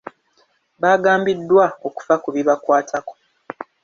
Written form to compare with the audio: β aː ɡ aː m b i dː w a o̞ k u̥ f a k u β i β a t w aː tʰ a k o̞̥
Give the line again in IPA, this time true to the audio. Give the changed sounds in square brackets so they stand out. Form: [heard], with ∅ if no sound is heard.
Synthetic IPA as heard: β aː ɡ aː m b i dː w a o̞ k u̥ f a k u β i β a [k] w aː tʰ a k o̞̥